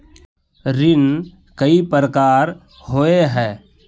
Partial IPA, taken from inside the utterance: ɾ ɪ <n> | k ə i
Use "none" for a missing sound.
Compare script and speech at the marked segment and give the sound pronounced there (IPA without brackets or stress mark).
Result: n